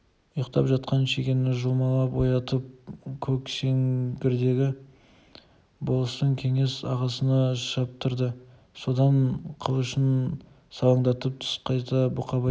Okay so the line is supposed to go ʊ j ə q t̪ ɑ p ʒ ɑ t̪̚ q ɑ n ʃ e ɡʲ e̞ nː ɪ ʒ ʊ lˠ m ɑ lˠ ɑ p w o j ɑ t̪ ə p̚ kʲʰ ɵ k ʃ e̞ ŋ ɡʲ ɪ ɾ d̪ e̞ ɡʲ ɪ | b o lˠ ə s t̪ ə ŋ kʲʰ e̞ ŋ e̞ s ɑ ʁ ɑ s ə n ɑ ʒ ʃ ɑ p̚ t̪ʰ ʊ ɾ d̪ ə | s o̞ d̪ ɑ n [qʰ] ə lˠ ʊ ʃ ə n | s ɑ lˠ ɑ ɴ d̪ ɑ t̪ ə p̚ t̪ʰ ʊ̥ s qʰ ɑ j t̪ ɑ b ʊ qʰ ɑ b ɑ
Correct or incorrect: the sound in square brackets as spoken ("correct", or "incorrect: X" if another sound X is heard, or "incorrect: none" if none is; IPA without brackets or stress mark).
correct